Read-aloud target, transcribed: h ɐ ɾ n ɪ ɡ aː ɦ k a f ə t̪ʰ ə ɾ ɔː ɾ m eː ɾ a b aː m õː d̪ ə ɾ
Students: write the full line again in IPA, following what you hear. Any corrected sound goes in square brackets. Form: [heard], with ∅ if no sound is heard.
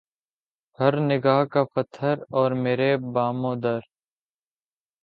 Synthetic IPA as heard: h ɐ ɾ n ɪ ɡ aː ɦ k a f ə t̪ʰ ə ɾ ɔː ɾ m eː ɾ [e] b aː m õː d̪ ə ɾ